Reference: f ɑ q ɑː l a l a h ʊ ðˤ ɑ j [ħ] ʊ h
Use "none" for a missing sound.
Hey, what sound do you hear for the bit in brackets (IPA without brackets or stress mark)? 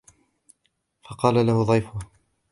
f